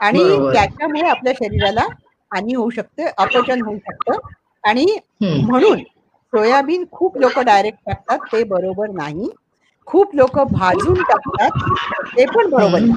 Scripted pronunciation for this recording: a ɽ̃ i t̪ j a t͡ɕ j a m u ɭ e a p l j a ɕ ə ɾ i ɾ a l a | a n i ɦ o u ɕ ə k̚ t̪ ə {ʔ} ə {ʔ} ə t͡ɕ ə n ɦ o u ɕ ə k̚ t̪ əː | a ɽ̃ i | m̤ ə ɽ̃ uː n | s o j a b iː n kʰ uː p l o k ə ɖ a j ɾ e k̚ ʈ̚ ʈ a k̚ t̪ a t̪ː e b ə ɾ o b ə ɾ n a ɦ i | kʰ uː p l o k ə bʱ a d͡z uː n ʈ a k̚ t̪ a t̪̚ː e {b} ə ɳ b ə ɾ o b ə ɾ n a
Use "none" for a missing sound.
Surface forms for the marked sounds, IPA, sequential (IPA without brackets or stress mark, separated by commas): ʔ, p, p